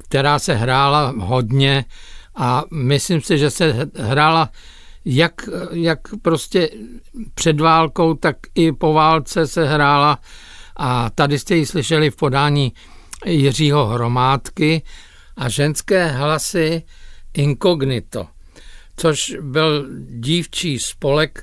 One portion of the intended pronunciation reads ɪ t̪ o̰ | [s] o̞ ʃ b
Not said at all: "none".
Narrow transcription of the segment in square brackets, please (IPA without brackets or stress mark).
t͡s